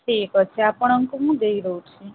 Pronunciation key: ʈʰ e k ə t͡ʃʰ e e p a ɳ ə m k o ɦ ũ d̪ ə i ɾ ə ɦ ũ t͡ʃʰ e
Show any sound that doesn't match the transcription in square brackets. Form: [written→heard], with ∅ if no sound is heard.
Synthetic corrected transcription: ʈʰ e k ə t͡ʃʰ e [e→a] p [a→ə] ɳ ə [m→ŋ] k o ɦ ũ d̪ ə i ɾ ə ɦ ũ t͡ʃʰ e